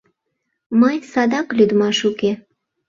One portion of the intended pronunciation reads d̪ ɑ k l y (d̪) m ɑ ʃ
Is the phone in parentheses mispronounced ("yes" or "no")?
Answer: no